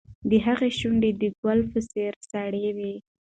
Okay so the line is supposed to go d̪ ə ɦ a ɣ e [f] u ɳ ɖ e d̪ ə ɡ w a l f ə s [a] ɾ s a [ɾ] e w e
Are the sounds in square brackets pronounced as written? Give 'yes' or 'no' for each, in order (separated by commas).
no, no, no